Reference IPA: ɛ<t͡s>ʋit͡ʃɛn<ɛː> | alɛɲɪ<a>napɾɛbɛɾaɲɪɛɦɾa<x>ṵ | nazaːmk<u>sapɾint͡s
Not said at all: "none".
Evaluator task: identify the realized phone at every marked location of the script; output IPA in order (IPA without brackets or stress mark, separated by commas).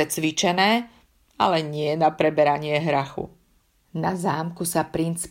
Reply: t͡s, ɛː, ɛ, x, u